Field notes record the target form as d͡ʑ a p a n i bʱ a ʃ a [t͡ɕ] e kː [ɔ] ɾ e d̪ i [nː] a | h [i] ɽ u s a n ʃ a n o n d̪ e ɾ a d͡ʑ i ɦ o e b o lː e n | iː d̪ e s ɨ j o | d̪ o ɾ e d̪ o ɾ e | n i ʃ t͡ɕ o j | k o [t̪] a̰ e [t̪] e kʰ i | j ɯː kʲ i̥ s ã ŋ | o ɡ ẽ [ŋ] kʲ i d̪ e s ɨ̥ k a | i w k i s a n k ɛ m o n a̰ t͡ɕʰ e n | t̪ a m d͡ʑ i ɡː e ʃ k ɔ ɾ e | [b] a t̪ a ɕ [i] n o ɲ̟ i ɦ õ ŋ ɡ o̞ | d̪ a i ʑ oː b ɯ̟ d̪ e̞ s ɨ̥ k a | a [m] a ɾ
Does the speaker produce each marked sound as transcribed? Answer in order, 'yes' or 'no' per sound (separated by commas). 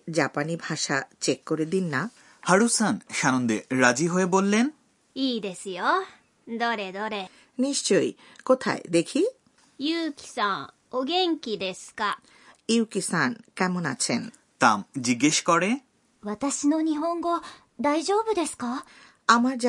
yes, no, yes, no, no, no, yes, no, yes, yes